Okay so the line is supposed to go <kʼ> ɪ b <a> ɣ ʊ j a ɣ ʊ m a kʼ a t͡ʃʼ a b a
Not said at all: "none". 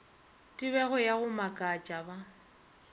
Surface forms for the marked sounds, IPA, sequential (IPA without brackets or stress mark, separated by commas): tʼ, ɛ